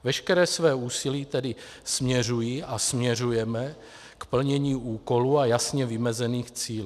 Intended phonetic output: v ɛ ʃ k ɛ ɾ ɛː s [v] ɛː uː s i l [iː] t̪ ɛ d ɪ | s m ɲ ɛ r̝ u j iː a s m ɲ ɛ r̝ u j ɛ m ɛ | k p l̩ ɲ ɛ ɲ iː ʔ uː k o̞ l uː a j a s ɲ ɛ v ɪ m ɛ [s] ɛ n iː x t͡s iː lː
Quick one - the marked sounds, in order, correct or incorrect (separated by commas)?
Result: correct, correct, incorrect